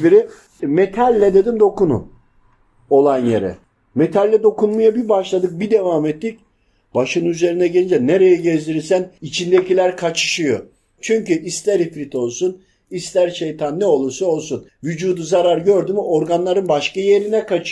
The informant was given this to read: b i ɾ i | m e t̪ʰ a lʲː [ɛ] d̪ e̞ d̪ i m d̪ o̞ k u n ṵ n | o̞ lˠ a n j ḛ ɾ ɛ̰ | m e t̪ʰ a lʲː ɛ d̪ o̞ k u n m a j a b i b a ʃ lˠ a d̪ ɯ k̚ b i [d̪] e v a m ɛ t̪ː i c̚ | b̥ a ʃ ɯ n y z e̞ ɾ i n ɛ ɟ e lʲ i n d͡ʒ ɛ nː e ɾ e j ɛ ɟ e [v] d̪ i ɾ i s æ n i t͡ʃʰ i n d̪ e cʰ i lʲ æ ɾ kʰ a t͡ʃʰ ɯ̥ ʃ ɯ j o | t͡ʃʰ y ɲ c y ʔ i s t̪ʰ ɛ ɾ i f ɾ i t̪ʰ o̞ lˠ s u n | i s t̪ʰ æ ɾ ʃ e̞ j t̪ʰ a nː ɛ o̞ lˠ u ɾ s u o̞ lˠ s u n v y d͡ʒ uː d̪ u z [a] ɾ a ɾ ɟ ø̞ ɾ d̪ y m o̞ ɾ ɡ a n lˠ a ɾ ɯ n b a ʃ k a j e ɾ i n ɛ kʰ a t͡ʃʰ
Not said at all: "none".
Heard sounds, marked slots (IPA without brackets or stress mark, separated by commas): ɛ, d̪, z, a